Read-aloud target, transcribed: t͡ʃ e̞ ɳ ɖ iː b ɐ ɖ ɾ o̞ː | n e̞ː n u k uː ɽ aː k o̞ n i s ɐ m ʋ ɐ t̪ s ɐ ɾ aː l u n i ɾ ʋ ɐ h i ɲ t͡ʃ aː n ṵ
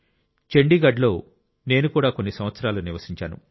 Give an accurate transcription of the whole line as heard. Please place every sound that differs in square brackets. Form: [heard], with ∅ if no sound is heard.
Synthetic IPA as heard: t͡ʃ e̞ ɳ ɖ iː [ɡ] ɐ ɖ [l] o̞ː | n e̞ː n u k uː ɽ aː k o̞ [nː] i s ɐ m ʋ ɐ t̪ s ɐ ɾ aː l u n i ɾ ʋ ɐ [s] i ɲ t͡ʃ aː n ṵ

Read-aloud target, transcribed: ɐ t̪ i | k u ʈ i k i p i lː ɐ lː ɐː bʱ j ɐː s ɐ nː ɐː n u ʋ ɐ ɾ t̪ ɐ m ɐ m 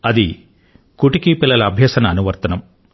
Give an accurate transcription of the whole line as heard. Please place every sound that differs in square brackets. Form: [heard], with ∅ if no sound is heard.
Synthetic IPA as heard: ɐ [d̪] i | k u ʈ i k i p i lː ɐ [l] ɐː bʱ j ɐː s ɐ [n] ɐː n u ʋ ɐ ɾ t̪ ɐ [n] ɐ m

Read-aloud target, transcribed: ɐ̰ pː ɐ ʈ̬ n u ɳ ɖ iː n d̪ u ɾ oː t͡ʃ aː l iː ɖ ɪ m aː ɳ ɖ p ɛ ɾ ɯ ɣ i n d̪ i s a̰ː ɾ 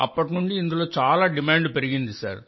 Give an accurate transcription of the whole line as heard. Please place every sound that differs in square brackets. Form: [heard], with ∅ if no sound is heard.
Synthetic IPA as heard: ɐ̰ pː ɐ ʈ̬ n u ɳ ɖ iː n d̪ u [l] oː t͡ʃ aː l [aː] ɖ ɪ m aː ɳ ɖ p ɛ ɾ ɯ ɣ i n d̪ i s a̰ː ɾ

